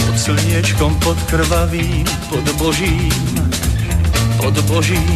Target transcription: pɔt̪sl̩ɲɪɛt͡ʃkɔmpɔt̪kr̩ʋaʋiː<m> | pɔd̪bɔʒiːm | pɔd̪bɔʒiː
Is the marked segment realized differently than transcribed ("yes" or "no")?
no